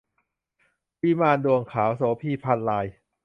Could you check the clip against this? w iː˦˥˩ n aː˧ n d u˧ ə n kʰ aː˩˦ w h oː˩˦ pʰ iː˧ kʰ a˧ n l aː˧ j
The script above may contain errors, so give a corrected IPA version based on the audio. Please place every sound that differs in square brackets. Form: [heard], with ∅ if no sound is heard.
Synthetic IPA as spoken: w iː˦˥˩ [m] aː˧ n d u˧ ə [ŋ] kʰ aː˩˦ w [s] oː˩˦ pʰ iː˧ [pʰ] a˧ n l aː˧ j